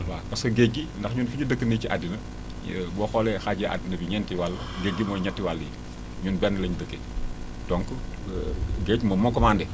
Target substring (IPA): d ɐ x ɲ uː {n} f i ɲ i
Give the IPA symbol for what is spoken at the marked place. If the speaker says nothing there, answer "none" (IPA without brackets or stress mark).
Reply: n